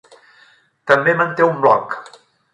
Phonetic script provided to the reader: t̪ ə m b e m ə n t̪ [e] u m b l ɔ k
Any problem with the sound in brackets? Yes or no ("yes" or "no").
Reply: no